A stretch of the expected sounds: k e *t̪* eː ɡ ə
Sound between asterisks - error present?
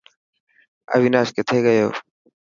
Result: yes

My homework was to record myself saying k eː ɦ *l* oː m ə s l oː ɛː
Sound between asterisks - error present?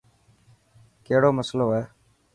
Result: yes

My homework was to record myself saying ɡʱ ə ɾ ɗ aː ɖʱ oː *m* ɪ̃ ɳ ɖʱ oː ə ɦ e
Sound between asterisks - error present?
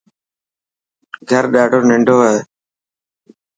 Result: yes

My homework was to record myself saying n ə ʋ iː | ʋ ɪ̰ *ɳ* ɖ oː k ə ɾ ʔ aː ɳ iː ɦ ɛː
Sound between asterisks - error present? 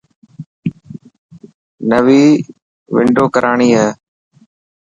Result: no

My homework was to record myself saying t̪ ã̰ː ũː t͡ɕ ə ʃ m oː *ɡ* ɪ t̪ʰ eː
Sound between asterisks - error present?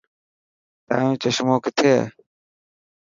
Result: yes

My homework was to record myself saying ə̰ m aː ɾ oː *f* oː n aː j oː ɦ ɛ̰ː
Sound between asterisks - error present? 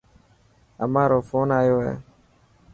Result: no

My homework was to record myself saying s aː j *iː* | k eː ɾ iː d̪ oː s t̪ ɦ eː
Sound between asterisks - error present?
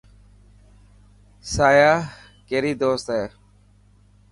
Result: yes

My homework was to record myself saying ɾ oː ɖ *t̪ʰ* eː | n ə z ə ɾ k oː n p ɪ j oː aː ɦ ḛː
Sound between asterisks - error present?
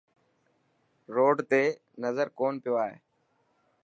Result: yes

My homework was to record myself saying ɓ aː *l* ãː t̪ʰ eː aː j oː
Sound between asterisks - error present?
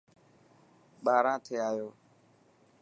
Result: yes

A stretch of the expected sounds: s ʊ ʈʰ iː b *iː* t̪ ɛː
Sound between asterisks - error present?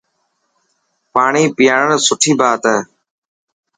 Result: yes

